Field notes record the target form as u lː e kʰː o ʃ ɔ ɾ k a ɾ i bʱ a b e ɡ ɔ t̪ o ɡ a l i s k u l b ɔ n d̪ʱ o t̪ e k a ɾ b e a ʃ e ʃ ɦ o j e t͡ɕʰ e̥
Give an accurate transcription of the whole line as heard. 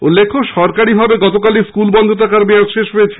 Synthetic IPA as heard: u lː e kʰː o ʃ ɔ ɾ k a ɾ i bʱ a b e ɡ ɔ t̪ o k a l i s k u l b ɔ n d̪ʱ o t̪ a k a ɾ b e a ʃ e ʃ ɦ o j e t͡ɕʰ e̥